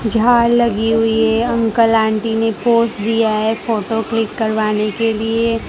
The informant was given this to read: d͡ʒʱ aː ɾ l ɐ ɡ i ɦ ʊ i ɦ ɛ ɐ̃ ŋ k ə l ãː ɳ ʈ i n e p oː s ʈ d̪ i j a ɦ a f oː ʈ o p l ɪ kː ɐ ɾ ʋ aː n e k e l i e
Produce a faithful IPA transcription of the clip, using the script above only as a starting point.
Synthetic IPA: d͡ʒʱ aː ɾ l ɐ ɡ i ɦ ʊ i ɦ ɛ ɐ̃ ŋ k ə l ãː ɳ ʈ i n e p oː s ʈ d̪ i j a ɦ ɛ f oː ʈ o k l ɪ kː ɐ ɾ ʋ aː n e k e l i e